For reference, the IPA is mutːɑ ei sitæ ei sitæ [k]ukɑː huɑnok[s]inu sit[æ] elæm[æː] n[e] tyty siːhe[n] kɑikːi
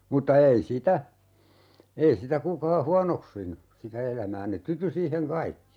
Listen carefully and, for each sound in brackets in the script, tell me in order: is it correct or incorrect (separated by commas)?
correct, correct, correct, correct, correct, incorrect